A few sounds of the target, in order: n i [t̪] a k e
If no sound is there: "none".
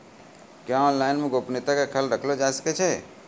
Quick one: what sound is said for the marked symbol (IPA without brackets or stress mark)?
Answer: t̪